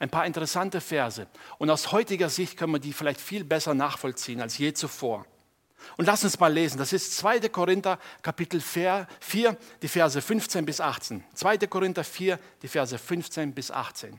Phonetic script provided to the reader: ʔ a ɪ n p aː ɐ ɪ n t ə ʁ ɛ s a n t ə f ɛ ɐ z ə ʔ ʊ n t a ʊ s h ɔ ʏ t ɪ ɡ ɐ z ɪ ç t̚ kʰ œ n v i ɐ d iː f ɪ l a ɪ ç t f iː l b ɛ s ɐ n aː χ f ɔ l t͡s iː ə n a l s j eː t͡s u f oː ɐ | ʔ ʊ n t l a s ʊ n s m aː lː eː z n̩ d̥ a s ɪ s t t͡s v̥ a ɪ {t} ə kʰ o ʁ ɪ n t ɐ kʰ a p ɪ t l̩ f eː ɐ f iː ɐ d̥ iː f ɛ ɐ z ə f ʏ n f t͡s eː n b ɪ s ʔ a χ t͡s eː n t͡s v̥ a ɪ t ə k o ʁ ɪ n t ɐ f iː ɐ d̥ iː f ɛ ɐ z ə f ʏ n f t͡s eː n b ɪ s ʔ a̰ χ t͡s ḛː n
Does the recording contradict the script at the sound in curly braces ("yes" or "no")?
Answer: no